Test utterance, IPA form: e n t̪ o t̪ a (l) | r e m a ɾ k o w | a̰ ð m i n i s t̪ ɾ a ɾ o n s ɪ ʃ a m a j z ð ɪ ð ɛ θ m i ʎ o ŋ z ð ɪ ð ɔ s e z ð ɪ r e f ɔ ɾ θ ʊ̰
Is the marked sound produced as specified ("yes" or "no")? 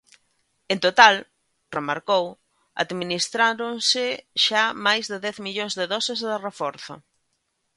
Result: yes